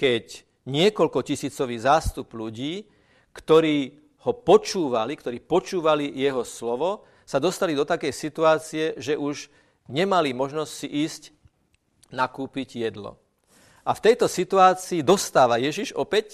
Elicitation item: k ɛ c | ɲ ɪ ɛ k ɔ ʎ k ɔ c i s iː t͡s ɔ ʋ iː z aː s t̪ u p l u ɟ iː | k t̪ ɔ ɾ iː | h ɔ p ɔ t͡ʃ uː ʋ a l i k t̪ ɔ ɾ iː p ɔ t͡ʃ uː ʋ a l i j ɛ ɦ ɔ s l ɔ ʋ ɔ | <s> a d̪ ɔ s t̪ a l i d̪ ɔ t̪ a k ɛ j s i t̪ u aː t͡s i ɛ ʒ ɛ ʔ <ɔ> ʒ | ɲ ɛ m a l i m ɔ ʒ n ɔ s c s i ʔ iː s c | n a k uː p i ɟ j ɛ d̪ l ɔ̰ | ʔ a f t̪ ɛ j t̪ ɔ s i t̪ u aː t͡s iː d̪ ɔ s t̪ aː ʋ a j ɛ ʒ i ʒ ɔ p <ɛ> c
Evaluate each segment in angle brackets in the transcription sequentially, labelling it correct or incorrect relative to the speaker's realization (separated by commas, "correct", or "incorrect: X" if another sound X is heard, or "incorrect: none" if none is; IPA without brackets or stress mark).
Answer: correct, incorrect: u, correct